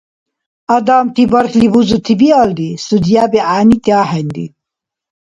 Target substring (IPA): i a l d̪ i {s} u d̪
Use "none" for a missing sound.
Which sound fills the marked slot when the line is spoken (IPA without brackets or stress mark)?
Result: s